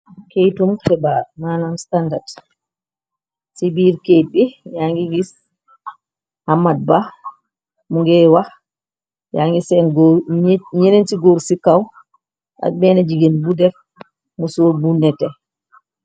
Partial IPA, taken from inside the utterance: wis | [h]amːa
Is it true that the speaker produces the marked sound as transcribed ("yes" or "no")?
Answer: yes